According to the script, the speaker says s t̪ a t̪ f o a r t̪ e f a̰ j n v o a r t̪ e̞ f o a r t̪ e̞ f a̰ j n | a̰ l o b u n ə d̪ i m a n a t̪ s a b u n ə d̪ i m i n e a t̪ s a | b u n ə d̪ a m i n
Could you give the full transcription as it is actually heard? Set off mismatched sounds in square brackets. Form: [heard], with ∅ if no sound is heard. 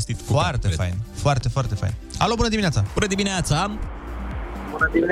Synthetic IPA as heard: s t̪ [i] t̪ f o a r t̪ e f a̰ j n [f] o a r t̪ e̞ f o a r t̪ e̞ f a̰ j n | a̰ l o b u n ə d̪ i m [i] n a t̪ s a b u n ə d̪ i m i n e a t̪ s a | b u n ə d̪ [i] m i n